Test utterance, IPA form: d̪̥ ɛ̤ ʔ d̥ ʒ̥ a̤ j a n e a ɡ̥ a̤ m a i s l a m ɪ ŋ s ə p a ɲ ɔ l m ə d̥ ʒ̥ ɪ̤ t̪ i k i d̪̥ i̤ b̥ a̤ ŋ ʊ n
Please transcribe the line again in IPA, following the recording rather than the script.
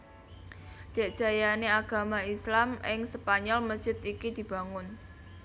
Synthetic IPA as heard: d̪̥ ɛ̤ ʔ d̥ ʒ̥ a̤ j a n e a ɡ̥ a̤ m a i s l a m ɪ ŋ s ə p a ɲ ɔ l m ə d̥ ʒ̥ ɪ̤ t̪ i k i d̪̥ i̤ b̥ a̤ ŋ ʊ n

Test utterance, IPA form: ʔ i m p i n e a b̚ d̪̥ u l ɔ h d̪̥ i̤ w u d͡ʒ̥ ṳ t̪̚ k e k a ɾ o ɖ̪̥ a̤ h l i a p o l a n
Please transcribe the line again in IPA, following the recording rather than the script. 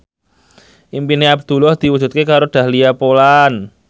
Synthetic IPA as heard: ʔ i m p i n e a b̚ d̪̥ u l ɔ h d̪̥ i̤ w u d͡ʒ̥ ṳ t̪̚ k e k a ɾ o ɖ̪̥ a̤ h l i a p o l a n

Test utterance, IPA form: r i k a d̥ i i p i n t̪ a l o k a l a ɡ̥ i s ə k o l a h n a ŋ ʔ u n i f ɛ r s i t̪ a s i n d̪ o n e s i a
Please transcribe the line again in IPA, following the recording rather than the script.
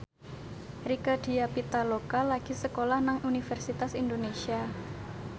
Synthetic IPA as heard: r i k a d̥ i a p i t̪ a l o k a l a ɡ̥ i s ə k o l a h n a ŋ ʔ u n i f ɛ r s i t̪ a s i n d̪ o n e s i a

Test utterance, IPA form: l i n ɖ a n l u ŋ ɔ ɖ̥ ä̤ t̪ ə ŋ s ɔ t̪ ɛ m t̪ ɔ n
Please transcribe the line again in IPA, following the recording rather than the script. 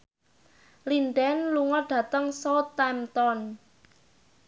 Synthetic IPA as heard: l i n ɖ ɛ n l u ŋ ɔ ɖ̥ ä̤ t̪ ə ŋ s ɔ t̪ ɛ m t̪ ɔ n

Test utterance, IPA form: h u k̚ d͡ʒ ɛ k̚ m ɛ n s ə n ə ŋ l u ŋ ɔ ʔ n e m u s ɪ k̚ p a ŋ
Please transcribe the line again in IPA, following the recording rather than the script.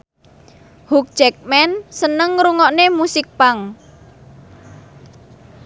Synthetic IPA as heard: h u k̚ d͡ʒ ɛ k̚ m ɛ n s ə n ə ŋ ɾ u ŋ ɔ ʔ n e m u s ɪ k̚ p a ŋ

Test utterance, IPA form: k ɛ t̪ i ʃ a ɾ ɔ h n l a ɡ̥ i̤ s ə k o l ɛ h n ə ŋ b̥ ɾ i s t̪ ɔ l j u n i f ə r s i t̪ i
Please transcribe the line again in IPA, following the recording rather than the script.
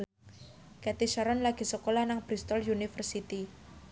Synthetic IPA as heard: k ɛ t̪ i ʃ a ɾ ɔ n l a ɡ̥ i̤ s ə k o l a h n a ŋ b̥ ɾ i s t̪ ɔ l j u n i f ə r s i t̪ i

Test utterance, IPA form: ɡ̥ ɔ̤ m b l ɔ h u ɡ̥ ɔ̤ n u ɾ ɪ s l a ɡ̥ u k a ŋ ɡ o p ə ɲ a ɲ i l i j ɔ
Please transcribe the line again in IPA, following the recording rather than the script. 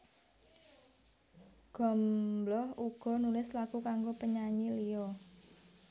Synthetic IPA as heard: ɡ̥ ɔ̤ m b l ɔ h u ɡ̥ ɔ̤ n u l ɪ s l a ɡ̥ u k a ŋ ɡ o p ə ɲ a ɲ i l i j ɔ

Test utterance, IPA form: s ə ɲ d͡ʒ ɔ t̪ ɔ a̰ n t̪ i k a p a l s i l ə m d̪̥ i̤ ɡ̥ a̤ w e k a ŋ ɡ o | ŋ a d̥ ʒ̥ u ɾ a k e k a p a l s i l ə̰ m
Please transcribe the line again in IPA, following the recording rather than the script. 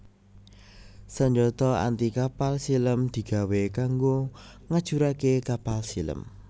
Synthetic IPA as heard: s ə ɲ d͡ʒ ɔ t̪ ɔ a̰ n t̪ i k a p a l s i l ə m d̪̥ i̤ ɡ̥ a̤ w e k a ŋ ɡ o | ŋ a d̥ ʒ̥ u ɾ a k e k a p a l s i l ə̰ m

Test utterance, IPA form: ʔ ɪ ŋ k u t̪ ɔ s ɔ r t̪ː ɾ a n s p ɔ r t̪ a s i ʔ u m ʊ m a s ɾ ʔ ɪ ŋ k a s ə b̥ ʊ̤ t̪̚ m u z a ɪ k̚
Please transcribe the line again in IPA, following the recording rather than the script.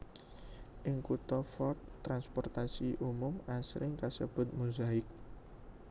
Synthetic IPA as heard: ʔ ɪ ŋ k u t̪ ɔ f ɔ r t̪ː ɾ a n s p ɔ r t̪ a s i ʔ u m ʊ m a s ɾ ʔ ɪ ŋ k a s ə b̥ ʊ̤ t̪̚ m u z a ɪ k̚

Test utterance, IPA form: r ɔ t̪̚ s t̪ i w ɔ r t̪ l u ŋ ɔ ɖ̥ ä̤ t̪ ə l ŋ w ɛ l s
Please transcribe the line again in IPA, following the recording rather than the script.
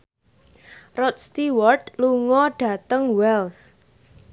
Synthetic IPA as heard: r ɔ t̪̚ s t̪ i w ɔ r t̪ l u ŋ ɔ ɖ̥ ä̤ t̪ ə ŋ w ɛ l s

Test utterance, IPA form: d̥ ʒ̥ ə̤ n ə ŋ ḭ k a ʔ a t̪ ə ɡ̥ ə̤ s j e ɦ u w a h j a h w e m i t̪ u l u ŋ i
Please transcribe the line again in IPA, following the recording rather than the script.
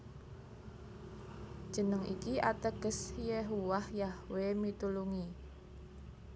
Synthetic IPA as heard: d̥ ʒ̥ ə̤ n ə ŋ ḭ k i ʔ a t̪ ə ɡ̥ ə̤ s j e ɦ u w a h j a h w e m i t̪ u l u ŋ i

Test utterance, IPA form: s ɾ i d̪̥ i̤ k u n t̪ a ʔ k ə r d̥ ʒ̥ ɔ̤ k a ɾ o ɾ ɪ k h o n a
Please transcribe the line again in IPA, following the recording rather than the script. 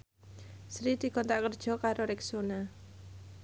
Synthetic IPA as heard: s ɾ i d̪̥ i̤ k ɔ n t̪ a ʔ k ə r d̥ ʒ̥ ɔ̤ k a ɾ o ɾ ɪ k s o n a

